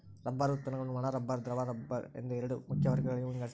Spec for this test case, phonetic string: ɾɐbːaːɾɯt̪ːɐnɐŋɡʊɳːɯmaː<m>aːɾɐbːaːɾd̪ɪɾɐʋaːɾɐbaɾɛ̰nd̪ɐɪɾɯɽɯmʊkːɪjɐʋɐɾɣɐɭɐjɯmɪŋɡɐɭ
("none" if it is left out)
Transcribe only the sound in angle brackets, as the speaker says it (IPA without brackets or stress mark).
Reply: n